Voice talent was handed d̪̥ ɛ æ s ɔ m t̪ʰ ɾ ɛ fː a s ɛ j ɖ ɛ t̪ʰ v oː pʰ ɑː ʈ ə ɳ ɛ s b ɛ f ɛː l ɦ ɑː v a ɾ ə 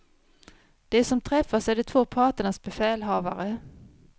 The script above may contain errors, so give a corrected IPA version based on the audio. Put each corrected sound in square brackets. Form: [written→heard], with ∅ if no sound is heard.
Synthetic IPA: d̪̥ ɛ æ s ɔ m t̪ʰ ɾ ɛ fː a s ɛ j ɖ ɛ t̪ʰ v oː pʰ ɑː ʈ ə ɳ [ɛ→a] s b ɛ f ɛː l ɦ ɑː v a ɾ ə